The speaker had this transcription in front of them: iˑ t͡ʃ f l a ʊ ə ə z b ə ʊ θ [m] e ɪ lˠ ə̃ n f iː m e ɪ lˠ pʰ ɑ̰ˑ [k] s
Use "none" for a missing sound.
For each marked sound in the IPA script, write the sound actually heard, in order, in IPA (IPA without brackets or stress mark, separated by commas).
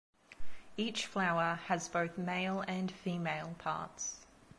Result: m, t